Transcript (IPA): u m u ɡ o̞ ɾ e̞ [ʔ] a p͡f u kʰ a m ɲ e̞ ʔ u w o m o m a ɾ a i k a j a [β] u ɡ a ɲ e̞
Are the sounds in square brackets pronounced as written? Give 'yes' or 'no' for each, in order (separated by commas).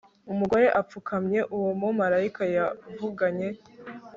yes, no